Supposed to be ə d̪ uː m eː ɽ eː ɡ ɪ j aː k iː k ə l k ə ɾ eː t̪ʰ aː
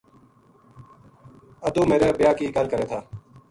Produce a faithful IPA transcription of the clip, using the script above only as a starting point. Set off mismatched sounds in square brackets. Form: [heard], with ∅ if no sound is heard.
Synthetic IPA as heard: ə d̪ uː m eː [ɾ] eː [b] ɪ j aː k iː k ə l k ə ɾ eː t̪ʰ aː

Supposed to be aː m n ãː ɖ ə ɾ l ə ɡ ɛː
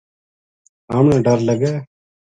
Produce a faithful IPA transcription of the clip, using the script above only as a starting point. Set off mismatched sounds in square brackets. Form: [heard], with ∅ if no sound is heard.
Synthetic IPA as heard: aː m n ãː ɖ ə ɾ l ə ɡ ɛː

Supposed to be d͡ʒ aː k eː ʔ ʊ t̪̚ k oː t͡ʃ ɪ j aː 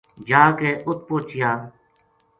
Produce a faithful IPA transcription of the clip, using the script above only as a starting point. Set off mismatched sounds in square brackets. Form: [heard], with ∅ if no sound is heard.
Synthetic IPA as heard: d͡ʒ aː k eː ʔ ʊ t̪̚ [p] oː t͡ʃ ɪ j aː

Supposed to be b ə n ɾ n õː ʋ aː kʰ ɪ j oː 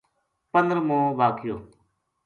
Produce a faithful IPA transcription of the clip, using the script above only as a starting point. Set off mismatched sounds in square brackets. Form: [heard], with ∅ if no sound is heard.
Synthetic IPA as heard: [p] ə n ɾ [m] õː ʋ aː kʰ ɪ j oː

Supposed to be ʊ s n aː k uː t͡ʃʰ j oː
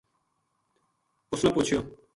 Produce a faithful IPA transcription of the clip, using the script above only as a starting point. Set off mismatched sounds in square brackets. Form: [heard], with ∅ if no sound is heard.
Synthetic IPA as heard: ʊ s n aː [p] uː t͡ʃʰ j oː

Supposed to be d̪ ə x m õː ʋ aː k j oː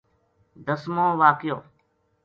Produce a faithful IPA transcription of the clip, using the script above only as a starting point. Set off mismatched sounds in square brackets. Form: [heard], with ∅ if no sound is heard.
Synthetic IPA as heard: d̪ ə [s] m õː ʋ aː k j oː

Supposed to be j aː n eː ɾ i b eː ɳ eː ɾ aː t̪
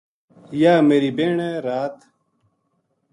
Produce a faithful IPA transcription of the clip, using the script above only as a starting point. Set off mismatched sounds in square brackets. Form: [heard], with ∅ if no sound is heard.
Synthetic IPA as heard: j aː [m] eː ɾ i b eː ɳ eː ɾ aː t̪

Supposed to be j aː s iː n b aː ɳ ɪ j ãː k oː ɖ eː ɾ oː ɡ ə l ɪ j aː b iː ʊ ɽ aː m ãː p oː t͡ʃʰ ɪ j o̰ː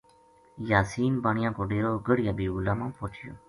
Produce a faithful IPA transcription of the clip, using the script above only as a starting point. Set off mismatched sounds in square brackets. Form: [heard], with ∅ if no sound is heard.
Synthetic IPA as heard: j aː s iː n b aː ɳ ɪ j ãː k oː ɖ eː ɾ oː ɡ ə [ɽ] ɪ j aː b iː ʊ [l] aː m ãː p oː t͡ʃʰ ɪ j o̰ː

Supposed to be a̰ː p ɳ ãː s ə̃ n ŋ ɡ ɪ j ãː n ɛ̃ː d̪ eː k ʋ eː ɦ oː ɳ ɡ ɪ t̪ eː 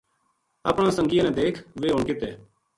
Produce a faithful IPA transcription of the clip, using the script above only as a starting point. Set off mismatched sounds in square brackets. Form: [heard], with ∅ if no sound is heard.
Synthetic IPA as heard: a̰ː p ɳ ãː s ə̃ [∅] ŋ ɡ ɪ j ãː n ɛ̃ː d̪ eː [kʰ] ʋ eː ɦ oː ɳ [k] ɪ t̪ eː

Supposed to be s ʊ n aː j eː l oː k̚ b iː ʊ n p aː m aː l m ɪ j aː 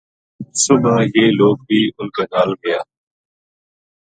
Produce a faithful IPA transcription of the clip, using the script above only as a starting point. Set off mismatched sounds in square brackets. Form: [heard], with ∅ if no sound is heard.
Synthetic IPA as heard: s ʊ n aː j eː l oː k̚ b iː ʊ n [k] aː [n] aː l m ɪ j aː

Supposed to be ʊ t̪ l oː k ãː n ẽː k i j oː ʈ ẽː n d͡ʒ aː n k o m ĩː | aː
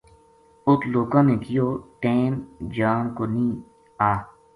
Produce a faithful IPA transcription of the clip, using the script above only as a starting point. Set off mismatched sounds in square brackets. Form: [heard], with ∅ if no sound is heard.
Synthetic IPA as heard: ʊ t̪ l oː k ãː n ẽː k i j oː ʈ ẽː n d͡ʒ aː n k o [n] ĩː | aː

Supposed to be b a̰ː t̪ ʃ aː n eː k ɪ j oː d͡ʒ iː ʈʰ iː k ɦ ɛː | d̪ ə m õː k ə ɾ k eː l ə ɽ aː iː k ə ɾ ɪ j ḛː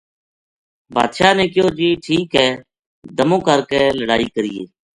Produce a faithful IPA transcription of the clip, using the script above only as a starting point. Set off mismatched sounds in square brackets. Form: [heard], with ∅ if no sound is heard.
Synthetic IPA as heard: b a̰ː [d̪] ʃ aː n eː k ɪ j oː d͡ʒ iː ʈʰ iː k ɦ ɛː | d̪ ə m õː k ə ɾ k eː l ə ɽ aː iː k ə ɾ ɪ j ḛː

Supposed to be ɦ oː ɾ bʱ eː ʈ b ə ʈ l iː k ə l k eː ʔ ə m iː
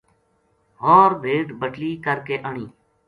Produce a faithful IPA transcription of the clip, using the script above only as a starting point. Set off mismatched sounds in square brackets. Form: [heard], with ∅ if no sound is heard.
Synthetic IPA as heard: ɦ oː ɾ bʱ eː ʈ b ə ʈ l iː k ə [ɾ] k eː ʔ ə [ɳ] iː

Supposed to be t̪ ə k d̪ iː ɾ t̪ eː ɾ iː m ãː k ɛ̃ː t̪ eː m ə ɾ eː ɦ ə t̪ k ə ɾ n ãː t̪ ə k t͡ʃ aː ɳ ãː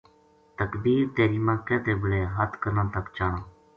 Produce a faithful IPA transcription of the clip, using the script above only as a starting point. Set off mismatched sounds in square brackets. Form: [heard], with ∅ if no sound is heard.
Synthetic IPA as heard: t̪ ə k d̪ iː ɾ t̪ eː ɾ iː m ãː k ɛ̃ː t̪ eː [b] ə [ɽ] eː ɦ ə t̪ k ə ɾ n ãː t̪ ə k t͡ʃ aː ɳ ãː

